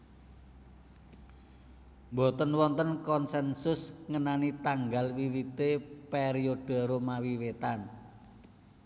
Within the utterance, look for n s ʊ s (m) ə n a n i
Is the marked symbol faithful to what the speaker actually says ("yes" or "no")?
no